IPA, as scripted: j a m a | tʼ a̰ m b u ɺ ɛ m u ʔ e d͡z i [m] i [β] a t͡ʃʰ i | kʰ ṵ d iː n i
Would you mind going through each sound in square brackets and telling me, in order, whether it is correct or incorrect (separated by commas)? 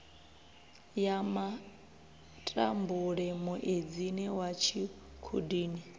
incorrect, incorrect